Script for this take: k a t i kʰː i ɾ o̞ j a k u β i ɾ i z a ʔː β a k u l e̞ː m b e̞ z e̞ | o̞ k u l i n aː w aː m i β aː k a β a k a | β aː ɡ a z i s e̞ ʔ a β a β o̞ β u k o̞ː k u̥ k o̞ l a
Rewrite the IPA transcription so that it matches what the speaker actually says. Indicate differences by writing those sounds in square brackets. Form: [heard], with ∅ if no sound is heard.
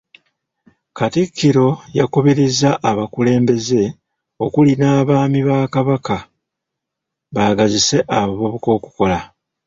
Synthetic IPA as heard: k a t i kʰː i ɾ o̞ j a k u β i ɾ i z a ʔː β a k u l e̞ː m b e̞ z e̞ | o̞ k u l i n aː [β] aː m i β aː k a β a k a | β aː ɡ a z i s e̞ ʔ a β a β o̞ β u k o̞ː k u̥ k o̞ l a